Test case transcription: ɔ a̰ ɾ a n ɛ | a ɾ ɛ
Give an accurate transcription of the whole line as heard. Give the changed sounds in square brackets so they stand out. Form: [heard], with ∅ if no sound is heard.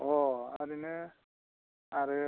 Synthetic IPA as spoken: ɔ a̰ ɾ [i] n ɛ | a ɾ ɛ